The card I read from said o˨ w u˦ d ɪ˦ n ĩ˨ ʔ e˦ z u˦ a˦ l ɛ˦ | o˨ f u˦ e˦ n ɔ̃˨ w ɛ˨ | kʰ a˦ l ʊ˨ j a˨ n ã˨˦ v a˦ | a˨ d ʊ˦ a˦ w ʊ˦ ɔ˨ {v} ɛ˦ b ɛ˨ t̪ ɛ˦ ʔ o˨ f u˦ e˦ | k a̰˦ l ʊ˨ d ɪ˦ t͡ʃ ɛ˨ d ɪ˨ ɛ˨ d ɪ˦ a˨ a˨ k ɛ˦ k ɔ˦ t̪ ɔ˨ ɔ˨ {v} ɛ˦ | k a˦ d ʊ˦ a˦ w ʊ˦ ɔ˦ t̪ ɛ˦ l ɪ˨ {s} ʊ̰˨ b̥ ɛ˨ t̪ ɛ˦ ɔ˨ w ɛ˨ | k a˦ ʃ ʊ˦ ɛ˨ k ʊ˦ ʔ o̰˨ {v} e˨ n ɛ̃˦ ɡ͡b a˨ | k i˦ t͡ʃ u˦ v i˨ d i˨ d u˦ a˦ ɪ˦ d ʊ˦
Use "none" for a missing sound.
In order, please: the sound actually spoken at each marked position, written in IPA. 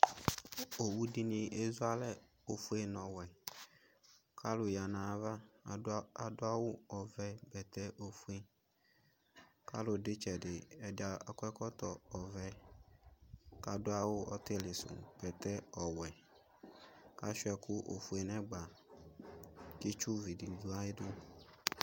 v, v, s, f

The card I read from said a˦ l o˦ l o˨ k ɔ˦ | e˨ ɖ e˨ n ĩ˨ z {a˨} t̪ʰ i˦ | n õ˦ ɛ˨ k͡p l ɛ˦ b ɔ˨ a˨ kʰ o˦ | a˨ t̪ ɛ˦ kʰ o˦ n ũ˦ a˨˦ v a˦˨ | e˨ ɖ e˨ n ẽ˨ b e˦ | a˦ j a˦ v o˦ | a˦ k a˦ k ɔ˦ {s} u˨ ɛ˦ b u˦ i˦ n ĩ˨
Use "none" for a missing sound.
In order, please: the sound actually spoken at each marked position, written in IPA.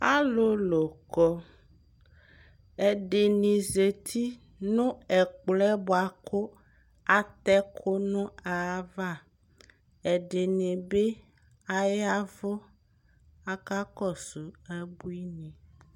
e˨, s

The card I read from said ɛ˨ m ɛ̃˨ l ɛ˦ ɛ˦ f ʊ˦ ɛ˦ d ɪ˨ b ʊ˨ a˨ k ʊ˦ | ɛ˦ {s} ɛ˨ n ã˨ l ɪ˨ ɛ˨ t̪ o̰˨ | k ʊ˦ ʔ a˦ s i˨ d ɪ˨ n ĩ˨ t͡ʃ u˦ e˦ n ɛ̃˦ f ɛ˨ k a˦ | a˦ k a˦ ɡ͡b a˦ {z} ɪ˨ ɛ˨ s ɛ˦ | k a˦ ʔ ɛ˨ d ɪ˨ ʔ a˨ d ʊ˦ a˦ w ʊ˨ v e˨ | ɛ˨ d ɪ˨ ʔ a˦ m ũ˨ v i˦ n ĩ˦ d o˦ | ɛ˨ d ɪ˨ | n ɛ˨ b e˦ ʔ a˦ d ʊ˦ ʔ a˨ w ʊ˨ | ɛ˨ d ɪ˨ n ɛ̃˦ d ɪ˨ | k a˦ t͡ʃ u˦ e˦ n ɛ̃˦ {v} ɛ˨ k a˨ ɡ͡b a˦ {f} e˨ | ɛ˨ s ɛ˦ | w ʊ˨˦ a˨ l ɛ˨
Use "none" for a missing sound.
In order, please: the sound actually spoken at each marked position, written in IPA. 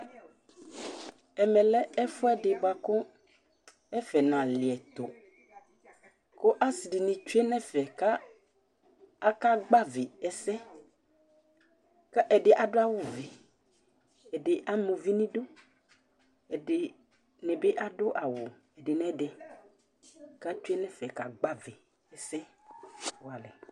f, v, f, v

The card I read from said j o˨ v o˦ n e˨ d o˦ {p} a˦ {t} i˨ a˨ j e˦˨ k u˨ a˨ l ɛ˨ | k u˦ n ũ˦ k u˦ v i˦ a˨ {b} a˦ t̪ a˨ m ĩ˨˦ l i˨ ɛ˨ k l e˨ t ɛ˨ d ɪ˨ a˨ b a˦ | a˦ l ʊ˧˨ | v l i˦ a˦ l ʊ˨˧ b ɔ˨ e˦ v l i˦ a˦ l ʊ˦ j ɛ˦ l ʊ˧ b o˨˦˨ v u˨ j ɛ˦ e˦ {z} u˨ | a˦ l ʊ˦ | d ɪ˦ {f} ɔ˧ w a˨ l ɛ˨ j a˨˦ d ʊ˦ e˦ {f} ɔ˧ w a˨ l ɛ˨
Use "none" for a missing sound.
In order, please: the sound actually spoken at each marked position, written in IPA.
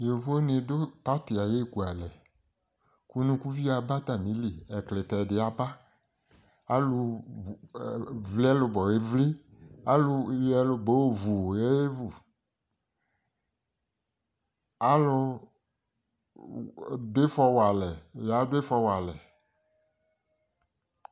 p, t, b, v, f, f

